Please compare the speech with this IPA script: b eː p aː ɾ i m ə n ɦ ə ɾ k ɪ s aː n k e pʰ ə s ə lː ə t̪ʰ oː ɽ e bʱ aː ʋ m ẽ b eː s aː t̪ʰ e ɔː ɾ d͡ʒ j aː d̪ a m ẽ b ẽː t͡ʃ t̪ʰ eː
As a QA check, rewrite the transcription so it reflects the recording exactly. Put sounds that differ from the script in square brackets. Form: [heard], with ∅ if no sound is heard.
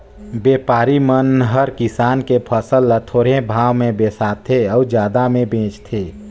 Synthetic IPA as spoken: b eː p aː ɾ i m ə n ɦ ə ɾ k ɪ s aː n k e pʰ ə s ə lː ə t̪ʰ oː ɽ e bʱ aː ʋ m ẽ b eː s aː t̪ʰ e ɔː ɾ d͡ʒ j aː d̪ a m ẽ b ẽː t͡ʃ t̪ʰ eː